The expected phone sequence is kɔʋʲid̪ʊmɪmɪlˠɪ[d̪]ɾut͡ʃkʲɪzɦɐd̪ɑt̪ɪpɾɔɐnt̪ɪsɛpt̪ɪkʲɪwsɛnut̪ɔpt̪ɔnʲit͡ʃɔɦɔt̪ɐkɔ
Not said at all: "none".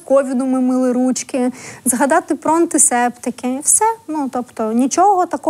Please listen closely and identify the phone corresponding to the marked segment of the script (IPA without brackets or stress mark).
none